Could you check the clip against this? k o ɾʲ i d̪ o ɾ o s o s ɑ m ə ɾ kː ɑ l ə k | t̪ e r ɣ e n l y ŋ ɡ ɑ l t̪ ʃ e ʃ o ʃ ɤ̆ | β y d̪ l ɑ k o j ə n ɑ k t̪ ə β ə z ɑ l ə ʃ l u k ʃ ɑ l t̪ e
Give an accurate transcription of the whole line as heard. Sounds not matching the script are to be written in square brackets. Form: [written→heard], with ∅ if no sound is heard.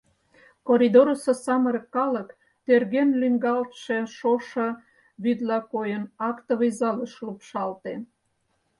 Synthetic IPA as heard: k o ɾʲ i d̪ o ɾ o s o s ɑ m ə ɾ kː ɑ l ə k | t̪ e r ɣ e n l y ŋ ɡ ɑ l t̪ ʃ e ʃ o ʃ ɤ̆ | β y d̪ l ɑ k o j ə n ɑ k t̪ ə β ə z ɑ l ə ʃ l u [k→p] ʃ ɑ l t̪ e